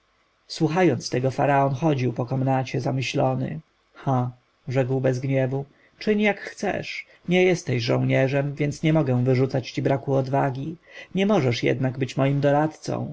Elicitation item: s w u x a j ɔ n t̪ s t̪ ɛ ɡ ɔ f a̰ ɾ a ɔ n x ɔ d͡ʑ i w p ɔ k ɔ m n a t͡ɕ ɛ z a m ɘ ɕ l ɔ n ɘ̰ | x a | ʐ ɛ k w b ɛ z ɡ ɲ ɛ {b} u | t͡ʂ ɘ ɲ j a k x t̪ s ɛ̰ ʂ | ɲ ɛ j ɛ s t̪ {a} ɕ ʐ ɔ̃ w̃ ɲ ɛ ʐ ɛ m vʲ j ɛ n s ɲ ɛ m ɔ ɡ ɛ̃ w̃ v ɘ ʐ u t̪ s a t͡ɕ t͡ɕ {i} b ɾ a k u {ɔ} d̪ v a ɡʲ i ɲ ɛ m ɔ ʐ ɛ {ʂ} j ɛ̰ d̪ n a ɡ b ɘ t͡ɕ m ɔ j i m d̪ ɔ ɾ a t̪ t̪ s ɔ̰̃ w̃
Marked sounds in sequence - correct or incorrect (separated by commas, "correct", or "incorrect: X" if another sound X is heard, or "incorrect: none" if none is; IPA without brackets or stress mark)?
incorrect: v, incorrect: ɛ, correct, correct, correct